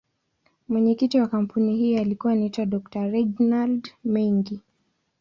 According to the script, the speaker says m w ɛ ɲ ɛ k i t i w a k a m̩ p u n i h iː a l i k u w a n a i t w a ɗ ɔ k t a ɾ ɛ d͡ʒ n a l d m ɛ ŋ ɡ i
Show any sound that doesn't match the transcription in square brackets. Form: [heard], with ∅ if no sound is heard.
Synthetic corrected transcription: m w ɛ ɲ ɛ k i t i w a k a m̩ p u n i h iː a l i k u w a n a i t w a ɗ ɔ k t a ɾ ɛ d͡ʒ n a l d m ɛ ŋ ɡ i

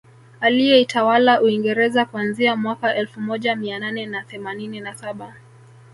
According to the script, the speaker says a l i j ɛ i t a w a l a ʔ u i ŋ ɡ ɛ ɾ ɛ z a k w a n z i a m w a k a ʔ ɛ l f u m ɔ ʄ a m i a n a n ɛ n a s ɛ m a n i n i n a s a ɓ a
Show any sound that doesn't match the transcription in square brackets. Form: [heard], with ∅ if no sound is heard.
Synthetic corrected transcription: a l i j ɛ i t a w a l a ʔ u i ŋ ɡ ɛ ɾ ɛ z a k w a n z i a m w a k a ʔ ɛ l f u m ɔ ʄ a m i a n a n ɛ n a [θ] ɛ m a n i n i n a s a ɓ a

